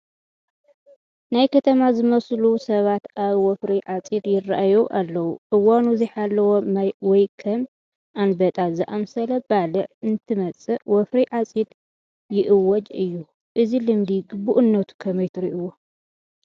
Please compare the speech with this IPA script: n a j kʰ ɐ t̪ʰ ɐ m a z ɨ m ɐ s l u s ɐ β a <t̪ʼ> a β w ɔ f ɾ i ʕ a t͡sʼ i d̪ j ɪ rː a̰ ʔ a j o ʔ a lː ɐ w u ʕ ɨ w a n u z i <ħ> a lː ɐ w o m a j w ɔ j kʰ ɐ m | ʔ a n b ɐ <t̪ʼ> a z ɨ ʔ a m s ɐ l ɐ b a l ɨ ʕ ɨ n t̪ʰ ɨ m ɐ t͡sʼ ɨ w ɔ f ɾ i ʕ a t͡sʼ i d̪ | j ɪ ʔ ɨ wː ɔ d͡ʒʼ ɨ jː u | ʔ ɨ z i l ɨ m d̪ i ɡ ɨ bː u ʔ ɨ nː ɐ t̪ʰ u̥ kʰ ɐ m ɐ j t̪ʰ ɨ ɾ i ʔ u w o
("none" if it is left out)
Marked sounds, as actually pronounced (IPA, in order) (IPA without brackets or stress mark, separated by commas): t̪, ħ, t̪ʼ